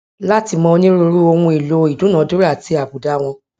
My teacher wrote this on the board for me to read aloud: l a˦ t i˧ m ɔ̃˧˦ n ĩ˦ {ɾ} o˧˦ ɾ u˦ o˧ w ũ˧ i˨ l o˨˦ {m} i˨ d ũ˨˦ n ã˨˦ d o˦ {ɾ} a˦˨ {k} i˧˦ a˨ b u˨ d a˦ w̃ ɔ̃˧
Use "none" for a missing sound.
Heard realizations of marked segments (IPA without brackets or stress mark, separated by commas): ɾ, none, ɾ, t